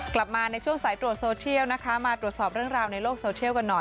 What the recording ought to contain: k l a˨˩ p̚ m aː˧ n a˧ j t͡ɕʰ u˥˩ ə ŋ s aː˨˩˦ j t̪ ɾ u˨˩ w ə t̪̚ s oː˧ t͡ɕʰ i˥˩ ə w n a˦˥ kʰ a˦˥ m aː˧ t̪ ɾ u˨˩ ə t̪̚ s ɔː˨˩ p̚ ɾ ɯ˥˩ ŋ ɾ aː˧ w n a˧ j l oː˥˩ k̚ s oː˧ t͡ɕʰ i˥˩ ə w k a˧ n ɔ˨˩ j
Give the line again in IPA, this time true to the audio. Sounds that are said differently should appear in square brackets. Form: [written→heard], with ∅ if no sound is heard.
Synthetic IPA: k l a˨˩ p̚ m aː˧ n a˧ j t͡ɕʰ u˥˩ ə ŋ s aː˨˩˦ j t̪ ɾ u˨˩ [w→∅] ə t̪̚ s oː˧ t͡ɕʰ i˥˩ ə w n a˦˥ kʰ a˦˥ m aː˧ t̪ ɾ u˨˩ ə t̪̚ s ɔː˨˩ p̚ ɾ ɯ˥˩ ŋ ɾ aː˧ w n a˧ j l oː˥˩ k̚ s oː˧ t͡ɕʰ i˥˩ ə w k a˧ [n→nː] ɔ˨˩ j